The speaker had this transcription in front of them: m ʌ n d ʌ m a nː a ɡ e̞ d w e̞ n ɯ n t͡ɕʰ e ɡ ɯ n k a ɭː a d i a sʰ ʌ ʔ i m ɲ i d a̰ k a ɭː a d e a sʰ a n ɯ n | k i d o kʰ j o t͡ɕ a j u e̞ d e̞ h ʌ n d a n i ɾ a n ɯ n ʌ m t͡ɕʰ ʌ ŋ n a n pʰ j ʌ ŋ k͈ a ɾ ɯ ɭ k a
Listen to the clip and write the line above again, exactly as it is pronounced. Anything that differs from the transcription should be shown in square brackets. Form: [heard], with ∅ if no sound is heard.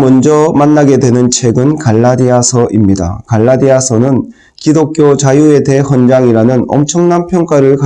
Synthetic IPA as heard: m ʌ n [d͡ʑ] ʌ m a nː a ɡ e̞ d w e̞ n ɯ n t͡ɕʰ e ɡ ɯ n k a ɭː a d i a sʰ ʌ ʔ i m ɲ i d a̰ k a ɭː a d [i] a sʰ [ʌ] n ɯ n | k i d o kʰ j o t͡ɕ a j u e̞ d e̞ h ʌ n [d͡ʑ] a [ŋ] i ɾ a n ɯ n ʌ m t͡ɕʰ ʌ ŋ n a n pʰ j ʌ ŋ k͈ a ɾ ɯ ɭ k a